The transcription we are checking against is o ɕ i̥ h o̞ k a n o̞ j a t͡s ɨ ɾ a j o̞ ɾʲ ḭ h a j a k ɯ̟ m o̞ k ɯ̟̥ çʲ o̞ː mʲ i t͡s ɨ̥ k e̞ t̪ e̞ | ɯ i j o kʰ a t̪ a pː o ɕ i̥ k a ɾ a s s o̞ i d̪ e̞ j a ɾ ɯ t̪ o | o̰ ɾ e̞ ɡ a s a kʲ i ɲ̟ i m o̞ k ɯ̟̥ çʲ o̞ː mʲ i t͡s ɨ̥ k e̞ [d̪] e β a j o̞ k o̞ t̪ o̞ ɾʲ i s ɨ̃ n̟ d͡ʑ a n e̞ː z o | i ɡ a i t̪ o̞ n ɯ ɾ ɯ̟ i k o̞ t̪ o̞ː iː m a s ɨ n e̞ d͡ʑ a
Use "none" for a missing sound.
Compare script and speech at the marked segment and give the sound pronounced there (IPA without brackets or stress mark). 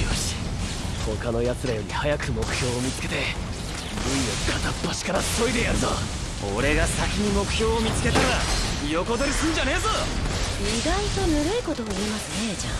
t̪